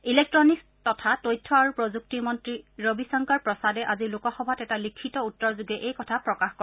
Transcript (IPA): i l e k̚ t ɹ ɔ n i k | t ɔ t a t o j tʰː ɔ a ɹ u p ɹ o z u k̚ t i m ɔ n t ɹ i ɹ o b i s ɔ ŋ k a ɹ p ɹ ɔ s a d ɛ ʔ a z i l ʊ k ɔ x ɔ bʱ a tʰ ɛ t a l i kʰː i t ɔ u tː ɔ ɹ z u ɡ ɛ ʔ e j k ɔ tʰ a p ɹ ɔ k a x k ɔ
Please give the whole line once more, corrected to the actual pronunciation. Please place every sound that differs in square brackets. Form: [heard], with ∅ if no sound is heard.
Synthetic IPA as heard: i l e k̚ t ɹ ɔ n i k | t ɔ [tʰ] a t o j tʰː ɔ a ɹ u p ɹ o z u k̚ t i m ɔ n t ɹ i ɹ o b i s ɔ ŋ k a ɹ p ɹ ɔ s a d ɛ ʔ a z i l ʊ k ɔ x ɔ bʱ a [t] ɛ t a l i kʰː i t ɔ u tː ɔ ɹ z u ɡ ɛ ʔ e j k ɔ tʰ a p ɹ ɔ k a x k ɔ

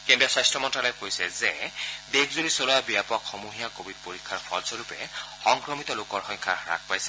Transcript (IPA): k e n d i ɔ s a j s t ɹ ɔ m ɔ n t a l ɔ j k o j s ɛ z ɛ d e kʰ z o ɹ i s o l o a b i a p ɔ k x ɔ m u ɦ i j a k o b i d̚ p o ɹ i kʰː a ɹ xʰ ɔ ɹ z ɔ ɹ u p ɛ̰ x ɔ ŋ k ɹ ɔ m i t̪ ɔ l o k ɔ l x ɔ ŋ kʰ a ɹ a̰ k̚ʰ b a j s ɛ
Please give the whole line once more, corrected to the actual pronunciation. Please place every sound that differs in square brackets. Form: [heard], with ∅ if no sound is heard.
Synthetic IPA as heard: k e n d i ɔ s a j s t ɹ ɔ m ɔ n t a l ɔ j k o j s ɛ z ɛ d e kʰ z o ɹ i s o l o a b i a p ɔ k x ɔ m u ɦ i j a k o b i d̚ p o ɹ i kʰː a ɹ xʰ ɔ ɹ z ɔ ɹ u p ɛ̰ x ɔ ŋ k ɹ ɔ m i t̪ ɔ l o k ɔ [ɹ] x ɔ ŋ kʰ a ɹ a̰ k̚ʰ [p] a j s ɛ

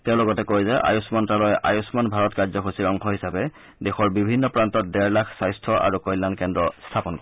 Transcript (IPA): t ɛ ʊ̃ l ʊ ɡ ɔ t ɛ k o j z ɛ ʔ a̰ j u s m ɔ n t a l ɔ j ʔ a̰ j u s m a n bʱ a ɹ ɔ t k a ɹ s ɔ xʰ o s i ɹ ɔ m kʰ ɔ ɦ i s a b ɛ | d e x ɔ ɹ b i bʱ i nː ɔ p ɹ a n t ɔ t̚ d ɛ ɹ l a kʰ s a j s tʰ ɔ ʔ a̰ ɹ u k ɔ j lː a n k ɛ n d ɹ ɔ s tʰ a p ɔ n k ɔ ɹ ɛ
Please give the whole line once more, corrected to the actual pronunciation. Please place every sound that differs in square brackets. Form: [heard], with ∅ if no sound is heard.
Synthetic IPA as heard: t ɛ ʊ̃ l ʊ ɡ ɔ t ɛ k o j z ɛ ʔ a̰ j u s m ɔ n t a l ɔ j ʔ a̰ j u s m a n bʱ a ɹ ɔ t k a ɹ [z] ɔ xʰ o s i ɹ ɔ [ŋ] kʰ ɔ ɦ i s a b ɛ | d e x ɔ ɹ b i bʱ i nː ɔ p ɹ a n t ɔ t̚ d ɛ ɹ l a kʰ s a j s tʰ ɔ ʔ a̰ ɹ u k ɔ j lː a n k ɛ n d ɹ ɔ s tʰ a p ɔ n k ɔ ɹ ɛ

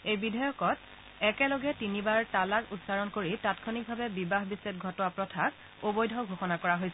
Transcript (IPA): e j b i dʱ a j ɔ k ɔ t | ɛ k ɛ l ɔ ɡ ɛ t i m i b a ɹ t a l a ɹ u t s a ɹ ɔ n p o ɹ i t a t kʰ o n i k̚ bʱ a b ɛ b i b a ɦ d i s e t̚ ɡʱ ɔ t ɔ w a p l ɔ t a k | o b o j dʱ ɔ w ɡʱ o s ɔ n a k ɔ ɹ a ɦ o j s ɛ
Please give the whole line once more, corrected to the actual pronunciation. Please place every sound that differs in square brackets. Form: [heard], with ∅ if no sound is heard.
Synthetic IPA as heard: e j b i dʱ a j ɔ k ɔ t | ɛ k ɛ l ɔ ɡ ɛ t i [n] i b a ɹ t a l a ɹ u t s a ɹ ɔ n [k] o ɹ i t a t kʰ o n i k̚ bʱ a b ɛ b i b a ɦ [b] i s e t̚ ɡʱ ɔ t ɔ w a p [ɹ] ɔ [tʰ] a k | o b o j dʱ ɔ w ɡʱ o [x] ɔ n a k ɔ ɹ a ɦ o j s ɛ

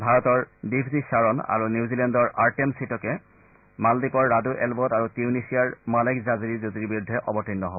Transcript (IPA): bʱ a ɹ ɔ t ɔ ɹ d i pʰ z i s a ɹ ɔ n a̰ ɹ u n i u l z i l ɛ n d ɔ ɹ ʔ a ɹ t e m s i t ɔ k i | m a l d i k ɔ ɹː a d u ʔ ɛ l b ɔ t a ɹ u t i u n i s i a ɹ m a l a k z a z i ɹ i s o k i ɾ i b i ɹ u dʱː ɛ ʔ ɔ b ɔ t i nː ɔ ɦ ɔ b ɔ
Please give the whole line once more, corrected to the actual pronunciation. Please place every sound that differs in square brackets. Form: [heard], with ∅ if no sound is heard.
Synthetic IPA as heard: bʱ a ɹ ɔ t ɔ ɹ d i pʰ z i s a ɹ ɔ n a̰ ɹ u n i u [∅] z i l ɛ n d ɔ ɹ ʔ a ɹ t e m s i t ɔ k [ɛ] | m a l d i k ɔ ɹː a d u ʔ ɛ l b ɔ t a ɹ u t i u n i s i a ɹ m a l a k z a z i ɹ i [z] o [t] i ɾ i b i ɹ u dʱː ɛ ʔ ɔ b ɔ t i nː ɔ ɦ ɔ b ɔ

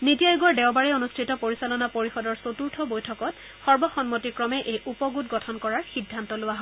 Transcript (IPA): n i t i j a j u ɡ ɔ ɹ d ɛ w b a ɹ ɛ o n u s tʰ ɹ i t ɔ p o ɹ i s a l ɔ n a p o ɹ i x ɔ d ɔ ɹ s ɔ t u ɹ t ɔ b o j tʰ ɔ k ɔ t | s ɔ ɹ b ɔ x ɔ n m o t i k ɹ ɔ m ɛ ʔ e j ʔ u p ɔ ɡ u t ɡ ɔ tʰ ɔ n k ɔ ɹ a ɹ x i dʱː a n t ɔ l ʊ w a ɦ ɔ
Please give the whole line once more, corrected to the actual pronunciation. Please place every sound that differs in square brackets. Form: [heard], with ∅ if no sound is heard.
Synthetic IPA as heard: n i t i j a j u ɡ ɔ ɹ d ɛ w b a ɹ ɛ o n u s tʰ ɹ i t ɔ p o ɹ i s a l ɔ n a p o ɹ i x ɔ d ɔ ɹ s [o] t u ɹ [tʰ] ɔ b o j tʰ ɔ k ɔ t | [x] ɔ ɹ b ɔ x ɔ n m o t i k ɹ ɔ m ɛ ʔ e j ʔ u p ɔ ɡ u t ɡ ɔ tʰ ɔ n k ɔ ɹ a ɹ x i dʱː a n t ɔ l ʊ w a ɦ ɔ

